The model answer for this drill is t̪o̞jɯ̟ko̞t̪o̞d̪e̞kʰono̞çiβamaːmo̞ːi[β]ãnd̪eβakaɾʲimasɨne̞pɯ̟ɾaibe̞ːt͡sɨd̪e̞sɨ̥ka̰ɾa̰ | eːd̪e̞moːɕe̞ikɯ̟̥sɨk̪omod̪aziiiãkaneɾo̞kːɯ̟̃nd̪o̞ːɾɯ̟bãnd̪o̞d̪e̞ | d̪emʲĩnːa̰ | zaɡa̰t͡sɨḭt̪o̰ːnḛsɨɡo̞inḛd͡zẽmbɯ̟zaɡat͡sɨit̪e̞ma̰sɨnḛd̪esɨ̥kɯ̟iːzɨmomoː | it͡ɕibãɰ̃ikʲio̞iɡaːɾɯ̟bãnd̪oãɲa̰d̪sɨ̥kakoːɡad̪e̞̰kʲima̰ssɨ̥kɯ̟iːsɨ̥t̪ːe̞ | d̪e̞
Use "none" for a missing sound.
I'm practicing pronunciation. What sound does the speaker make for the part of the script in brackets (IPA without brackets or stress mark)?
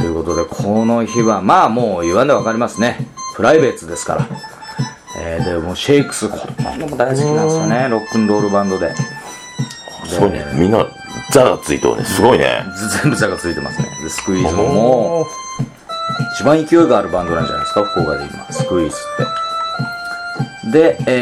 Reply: β